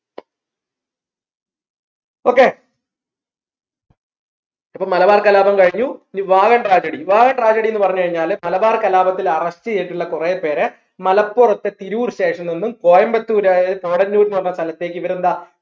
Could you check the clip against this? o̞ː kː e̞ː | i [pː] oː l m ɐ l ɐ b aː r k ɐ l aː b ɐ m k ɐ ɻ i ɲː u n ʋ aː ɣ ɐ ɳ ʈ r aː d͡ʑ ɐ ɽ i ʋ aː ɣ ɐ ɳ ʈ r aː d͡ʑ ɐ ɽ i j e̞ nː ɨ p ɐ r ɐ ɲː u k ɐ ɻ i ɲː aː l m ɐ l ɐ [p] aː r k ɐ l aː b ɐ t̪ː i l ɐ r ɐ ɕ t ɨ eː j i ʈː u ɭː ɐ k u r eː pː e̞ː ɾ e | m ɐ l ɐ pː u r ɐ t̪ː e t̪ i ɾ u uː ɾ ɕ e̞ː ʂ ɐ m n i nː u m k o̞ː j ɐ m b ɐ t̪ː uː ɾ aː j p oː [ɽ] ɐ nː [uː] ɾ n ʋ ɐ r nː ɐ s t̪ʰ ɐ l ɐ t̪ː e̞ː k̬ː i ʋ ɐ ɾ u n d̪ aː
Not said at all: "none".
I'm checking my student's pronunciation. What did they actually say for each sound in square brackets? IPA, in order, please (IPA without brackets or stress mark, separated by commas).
pː, b, ɽ, uː